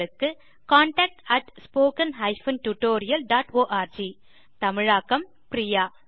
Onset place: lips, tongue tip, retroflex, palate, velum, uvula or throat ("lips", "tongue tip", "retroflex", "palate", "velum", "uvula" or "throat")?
velum